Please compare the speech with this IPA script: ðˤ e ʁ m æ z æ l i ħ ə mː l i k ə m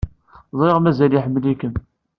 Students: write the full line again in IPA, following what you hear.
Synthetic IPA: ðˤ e ʁ m æ z æ l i ħ ə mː l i k ə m